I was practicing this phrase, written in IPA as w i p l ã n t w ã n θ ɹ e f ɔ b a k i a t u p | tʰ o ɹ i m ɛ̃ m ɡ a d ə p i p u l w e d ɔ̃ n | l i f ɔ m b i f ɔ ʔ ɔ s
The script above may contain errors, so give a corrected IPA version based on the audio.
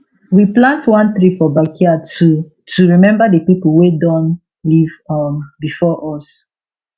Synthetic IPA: w i p l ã n t w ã n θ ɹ i f ɔ b a k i a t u | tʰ u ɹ i m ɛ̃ m b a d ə p i p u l w e d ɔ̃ n | l i v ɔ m b i f ɔ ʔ ɔ s